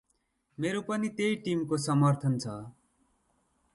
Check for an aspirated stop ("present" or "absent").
present